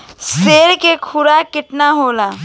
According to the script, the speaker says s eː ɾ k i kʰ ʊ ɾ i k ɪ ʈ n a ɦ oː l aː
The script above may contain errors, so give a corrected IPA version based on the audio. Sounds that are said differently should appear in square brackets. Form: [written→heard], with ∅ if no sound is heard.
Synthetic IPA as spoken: s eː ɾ k [i→e] kʰ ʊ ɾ [i→a] k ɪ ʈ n a ɦ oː l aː